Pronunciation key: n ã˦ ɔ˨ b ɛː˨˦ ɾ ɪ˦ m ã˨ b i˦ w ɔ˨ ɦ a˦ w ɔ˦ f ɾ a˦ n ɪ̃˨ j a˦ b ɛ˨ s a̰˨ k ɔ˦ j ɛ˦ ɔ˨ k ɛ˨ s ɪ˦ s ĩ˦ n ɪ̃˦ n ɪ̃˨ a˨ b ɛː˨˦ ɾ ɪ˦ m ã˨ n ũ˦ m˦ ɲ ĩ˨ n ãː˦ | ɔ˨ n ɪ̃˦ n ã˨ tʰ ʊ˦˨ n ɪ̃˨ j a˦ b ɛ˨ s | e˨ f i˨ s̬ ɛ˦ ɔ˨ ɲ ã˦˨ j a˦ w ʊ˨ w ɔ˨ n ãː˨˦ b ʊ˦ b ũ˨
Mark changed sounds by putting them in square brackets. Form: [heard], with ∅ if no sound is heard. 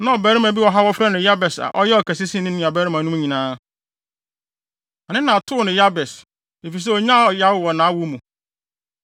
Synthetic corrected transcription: n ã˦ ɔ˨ b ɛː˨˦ ɾ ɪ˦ m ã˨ b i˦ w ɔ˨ ɦ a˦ w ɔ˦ f ɾ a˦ n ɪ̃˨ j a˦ b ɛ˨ s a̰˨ [ʔ] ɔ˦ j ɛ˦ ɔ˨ k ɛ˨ s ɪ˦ s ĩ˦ n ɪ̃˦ n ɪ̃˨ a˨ b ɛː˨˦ ɾ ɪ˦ m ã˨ n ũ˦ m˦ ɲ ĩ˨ n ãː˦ | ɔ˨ n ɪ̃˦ n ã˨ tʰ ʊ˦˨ n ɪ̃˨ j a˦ b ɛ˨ s | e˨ f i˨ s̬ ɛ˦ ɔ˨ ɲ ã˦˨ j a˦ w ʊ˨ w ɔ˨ n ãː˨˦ [w] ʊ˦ [m] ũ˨